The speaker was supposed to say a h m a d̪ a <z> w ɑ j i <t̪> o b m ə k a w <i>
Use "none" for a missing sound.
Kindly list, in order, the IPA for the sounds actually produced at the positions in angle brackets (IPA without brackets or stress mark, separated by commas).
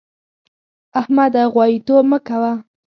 ɣ, t̪, a